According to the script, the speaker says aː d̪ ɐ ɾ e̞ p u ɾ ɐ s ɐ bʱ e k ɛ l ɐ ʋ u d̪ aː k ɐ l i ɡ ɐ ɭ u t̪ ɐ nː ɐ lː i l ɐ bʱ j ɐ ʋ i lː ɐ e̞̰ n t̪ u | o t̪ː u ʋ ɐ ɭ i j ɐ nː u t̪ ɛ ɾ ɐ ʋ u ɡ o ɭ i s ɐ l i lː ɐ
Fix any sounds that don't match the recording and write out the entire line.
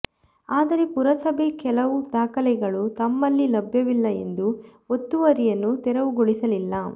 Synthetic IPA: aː d̪ ɐ ɾ e̞ p u ɾ ɐ s ɐ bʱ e k ɛ l ɐ ʋ u d̪ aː k ɐ l ɛ ɡ ɐ ɭ u t̪ ɐ mː ɐ lː i l ɐ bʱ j ɐ ʋ i lː ɐ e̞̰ n d̪ u | o t̪ː u ʋ ɐ ɾ i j ɐ nː u t̪ ɛ ɾ ɐ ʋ u ɡ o ɭ i s ɐ l i lː ɐ

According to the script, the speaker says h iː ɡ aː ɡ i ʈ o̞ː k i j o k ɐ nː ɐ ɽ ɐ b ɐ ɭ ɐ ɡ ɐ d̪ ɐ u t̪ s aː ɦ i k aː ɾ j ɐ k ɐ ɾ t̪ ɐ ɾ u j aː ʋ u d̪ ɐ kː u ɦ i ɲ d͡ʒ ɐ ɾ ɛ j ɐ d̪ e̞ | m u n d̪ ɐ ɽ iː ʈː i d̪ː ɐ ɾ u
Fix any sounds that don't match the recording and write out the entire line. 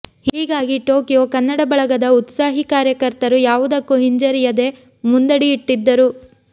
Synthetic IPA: h iː ɡ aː ɡ i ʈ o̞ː k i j o k ɐ nː ɐ ɽ ɐ b ɐ ɭ ɐ ɡ ɐ d̪ ɐ u t̪ s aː ɦ i k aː ɾ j ɐ k ɐ ɾ t̪ ɐ ɾ u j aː ʋ u d̪ ɐ kː u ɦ i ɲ d͡ʒ ɐ ɾ i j ɐ d̪ e̞ | m u n d̪ ɐ ɽ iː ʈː i d̪ː ɐ ɾ u

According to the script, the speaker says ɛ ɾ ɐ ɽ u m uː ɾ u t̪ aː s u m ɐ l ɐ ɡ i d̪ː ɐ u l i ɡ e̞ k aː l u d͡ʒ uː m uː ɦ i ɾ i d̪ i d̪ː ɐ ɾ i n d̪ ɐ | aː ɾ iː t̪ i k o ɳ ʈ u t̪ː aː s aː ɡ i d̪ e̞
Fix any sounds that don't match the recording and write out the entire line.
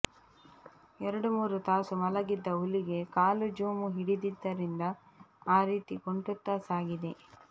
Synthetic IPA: ɛ ɾ ɐ ɽ u m uː ɾ u t̪ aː s u m ɐ l ɐ ɡ i d̪ː ɐ u l i ɡ e̞ k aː l u d͡ʒ uː m u ɦ i ɽ i d̪ i d̪ː ɐ ɾ i n d̪ ɐ | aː ɾ iː t̪ i k o ɳ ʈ u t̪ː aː s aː ɡ i d̪ e̞

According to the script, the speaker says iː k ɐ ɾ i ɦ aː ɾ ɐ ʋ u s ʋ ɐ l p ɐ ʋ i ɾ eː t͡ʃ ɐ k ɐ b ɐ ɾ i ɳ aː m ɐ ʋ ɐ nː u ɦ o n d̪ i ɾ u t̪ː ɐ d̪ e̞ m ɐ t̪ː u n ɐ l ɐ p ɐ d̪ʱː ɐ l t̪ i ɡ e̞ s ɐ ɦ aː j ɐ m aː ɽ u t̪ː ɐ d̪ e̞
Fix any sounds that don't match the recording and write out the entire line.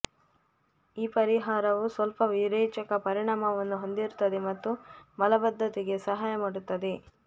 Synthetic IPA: iː p ɐ ɾ i ɦ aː ɾ ɐ ʋ u s ʋ ɐ l p ɐ ʋ i ɾ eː t͡ʃ ɐ k ɐ p ɐ ɾ i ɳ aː m ɐ ʋ ɐ nː u ɦ o n d̪ i ɾ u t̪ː ɐ d̪ e̞ m ɐ t̪ː u m ɐ l ɐ b ɐ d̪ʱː ɐ t̪ i ɡ e̞ s ɐ ɦ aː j ɐ m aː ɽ u t̪ː ɐ d̪ e̞

